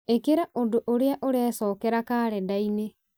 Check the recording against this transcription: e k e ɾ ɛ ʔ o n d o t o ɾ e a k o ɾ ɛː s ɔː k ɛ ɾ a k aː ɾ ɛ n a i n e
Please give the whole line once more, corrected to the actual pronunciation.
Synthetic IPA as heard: e k e ɾ a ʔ o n d o ʔ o ɾ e a ʔ o ɾ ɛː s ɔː k ɛ ɾ a k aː ɾ ɛ d a i n e